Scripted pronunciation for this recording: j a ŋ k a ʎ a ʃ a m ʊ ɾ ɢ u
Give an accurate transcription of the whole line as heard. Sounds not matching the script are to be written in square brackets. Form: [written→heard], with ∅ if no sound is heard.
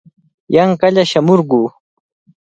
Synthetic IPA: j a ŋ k a ʎ a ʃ a m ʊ ɾ ɢ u